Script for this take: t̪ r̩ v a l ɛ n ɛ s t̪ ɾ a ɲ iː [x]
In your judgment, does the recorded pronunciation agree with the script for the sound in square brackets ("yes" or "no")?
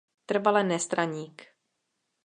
no